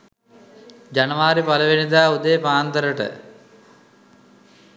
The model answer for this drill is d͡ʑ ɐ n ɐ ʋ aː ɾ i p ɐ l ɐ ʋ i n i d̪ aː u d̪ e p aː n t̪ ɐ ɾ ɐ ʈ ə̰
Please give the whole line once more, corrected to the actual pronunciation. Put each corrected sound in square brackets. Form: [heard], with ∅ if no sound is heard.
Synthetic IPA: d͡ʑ ɐ n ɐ ʋ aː ɾ i p ɐ l ɐ ʋ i n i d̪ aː u d̪ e p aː n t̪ ɐ ɾ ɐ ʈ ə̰